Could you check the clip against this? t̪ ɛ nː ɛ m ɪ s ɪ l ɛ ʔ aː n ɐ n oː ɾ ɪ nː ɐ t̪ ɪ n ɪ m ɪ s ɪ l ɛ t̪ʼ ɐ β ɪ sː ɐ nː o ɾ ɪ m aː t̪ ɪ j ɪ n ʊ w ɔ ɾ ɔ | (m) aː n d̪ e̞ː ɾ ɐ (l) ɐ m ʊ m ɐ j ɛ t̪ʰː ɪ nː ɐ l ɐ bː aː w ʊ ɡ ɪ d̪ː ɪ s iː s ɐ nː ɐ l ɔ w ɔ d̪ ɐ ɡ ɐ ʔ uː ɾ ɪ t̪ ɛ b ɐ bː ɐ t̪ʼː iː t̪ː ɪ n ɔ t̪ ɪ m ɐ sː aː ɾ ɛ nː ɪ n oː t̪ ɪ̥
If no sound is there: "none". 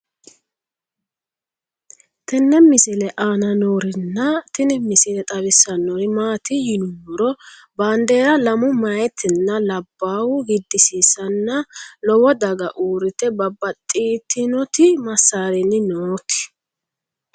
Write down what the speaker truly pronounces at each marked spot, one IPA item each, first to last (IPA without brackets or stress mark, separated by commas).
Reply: b, l